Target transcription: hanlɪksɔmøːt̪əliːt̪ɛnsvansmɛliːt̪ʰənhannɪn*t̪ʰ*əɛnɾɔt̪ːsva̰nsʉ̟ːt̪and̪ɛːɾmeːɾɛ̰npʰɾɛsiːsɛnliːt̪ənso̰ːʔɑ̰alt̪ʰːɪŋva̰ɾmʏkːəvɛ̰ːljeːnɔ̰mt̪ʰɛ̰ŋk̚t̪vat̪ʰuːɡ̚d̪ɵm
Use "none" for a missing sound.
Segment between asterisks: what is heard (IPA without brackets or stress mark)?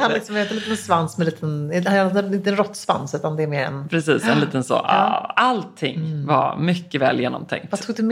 t̪